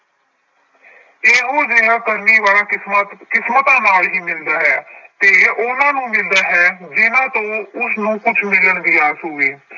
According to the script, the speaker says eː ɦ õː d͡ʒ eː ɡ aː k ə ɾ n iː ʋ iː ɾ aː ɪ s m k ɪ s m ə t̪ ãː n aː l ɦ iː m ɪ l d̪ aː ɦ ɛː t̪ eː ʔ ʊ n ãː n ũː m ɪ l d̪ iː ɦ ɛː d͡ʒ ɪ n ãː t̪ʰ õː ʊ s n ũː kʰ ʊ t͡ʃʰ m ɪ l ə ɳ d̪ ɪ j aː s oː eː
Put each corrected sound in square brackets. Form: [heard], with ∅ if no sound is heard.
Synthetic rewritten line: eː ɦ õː d͡ʒ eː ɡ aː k ə ɾ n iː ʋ [aː] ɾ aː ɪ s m k ɪ s m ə t̪ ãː n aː l ɦ iː m ɪ l d̪ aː ɦ ɛː t̪ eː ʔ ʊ n ãː n ũː m ɪ l d̪ [aː] ɦ ɛː d͡ʒ ɪ n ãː [t̪] õː ʊ s n ũː [k] ʊ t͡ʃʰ m ɪ l ə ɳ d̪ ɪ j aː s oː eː

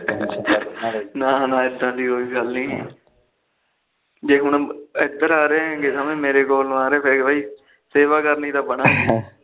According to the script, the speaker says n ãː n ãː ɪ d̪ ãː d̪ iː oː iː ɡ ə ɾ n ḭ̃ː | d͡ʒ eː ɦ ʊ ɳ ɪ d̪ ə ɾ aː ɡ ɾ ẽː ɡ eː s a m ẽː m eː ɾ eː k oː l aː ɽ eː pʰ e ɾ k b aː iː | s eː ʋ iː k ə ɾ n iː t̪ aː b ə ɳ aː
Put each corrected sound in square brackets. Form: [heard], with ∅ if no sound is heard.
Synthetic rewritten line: n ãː n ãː ɪ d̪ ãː d̪ iː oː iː ɡ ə [l] n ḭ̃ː | d͡ʒ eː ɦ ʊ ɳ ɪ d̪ ə ɾ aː [∅] ɾ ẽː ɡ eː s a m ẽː m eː ɾ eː k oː l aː [ɾ] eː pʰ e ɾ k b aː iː | s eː ʋ [aː] k ə ɾ n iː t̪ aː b ə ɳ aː

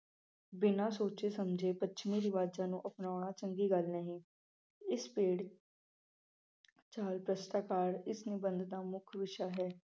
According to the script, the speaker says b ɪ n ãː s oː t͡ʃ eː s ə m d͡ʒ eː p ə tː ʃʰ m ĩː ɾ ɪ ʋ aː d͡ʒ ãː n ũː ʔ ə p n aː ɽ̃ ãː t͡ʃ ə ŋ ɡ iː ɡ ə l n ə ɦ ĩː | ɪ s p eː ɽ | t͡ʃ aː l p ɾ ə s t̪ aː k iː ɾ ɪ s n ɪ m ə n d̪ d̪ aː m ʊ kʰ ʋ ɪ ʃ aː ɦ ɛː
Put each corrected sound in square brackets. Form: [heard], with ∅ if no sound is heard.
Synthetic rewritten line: b ɪ n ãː s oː t͡ʃ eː s ə m d͡ʒ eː p ə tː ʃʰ m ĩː ɾ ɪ ʋ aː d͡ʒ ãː n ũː ʔ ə p n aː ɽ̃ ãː t͡ʃ ə ŋ ɡ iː ɡ ə l n ə ɦ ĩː | ɪ s p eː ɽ | t͡ʃ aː l p ɾ ə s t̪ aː k [aː] ɾ ɪ s n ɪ [b] ə n d̪ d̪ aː m ʊ kʰ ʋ ɪ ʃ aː ɦ ɛː

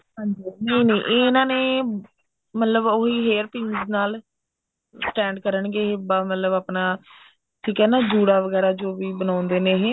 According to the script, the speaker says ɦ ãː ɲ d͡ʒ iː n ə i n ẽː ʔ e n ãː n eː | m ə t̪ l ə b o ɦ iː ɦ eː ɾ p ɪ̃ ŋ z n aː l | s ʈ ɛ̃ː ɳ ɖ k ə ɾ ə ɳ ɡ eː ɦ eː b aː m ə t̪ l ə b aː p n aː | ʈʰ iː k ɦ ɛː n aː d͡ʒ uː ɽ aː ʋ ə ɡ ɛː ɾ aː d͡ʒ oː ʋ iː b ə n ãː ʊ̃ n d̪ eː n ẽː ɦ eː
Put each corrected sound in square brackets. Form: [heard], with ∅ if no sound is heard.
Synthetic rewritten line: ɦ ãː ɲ d͡ʒ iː n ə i n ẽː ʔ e n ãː n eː | m ə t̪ l ə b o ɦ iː ɦ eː ɾ p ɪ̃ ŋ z n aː l | s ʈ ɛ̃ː ɳ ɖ k ə ɾ ə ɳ ɡ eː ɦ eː b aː m ə t̪ l ə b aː p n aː | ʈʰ iː k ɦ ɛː n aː d͡ʒ uː ɽ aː ʋ ə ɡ ɛː ɾ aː d͡ʒ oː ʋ iː b ə n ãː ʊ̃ n d̪ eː n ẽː ɦ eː

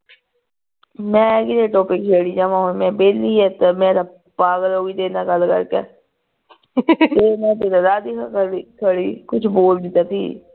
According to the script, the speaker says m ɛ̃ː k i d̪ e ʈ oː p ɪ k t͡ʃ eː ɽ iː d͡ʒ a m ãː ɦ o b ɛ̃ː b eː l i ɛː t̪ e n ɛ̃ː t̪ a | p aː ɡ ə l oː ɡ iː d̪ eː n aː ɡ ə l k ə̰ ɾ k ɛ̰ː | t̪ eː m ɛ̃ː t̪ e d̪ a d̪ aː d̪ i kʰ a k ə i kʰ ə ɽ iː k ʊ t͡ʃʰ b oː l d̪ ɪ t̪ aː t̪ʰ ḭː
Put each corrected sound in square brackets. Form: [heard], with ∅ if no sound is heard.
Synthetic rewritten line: m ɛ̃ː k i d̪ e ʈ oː p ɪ k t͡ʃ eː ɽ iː d͡ʒ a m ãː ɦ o [m] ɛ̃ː b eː l i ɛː t̪ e [m] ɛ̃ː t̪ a | p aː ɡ ə l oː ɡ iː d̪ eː n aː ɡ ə l k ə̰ ɾ k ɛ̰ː | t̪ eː m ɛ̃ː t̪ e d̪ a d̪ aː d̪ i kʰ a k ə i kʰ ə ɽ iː k ʊ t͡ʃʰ b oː l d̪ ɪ t̪ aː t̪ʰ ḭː

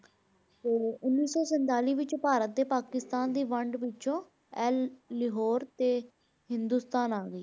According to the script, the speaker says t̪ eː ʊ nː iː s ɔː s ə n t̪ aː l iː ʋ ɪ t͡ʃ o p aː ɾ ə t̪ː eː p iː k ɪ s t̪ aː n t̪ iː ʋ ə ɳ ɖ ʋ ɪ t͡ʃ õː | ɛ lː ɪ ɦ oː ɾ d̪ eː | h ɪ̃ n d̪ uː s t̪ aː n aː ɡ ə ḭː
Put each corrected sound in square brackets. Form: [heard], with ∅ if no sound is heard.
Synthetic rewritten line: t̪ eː ʊ nː iː s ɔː s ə n t̪ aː l iː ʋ ɪ t͡ʃ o p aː ɾ ə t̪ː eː p [aː] k ɪ s t̪ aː n [d̪] iː ʋ ə ɳ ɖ ʋ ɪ t͡ʃ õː | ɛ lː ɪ ɦ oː ɾ [t̪] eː | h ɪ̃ n d̪ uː s t̪ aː n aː ɡ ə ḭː

